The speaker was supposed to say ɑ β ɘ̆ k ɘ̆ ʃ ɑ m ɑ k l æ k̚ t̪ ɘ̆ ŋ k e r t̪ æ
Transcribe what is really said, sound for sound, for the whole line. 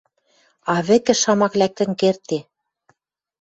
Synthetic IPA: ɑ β ɘ̆ k ɘ̆ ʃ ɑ m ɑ k l æ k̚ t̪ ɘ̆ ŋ k e r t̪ e